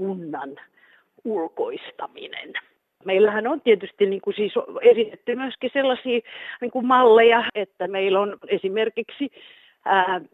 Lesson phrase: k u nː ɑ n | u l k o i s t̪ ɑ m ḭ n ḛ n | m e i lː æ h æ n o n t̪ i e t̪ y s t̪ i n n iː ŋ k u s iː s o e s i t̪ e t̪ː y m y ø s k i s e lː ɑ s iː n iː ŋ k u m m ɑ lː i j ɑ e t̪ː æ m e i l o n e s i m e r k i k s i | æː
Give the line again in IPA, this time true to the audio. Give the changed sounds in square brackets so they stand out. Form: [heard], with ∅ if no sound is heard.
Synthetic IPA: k u nː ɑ n | u l k o i s t̪ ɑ m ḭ n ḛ n | m e i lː æ h æ n o n t̪ i e t̪ y s t̪ i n n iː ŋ k u s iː s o e s i t̪ e t̪ː y m y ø s k i s e lː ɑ s iː n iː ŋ k u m m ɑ lː [e] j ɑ e t̪ː æ m e i l o n e s i m e r k i k s i | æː